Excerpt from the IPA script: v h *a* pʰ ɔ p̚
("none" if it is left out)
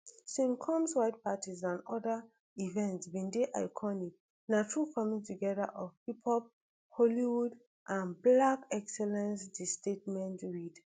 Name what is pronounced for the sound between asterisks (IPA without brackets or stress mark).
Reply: i